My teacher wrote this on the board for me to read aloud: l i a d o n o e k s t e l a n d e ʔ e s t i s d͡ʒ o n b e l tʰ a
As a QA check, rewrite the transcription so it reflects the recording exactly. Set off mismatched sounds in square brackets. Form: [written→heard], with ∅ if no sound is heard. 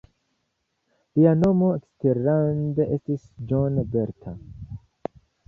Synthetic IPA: l i a [d→n] o [n→m] o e k s t e [l→ɾ] a n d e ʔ e s t i s d͡ʒ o n b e [l→ɾ] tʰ a